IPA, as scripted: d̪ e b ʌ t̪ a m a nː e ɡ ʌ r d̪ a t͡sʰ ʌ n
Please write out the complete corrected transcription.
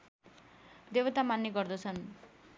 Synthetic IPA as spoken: d̪ e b ʌ t̪ a m a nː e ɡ ʌ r d̪ ʌ t͡sʰ ʌ n